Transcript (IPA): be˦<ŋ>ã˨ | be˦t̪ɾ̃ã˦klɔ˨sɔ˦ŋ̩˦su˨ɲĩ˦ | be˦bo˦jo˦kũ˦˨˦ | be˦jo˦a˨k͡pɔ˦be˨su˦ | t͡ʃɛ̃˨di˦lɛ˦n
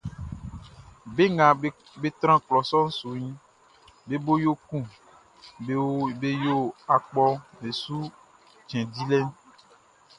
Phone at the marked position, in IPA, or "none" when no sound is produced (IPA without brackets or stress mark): ŋ